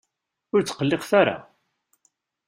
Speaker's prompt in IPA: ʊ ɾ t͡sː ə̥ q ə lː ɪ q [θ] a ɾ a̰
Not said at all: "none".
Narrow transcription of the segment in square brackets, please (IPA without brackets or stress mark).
θ